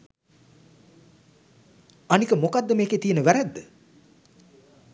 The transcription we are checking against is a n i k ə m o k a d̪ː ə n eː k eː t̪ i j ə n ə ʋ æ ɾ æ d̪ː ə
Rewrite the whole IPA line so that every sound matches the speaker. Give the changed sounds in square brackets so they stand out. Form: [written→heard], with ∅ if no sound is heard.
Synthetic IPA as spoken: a n i k ə m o k a d̪ː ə [n→m] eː k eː t̪ i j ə n ə ʋ æ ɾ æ d̪ː ə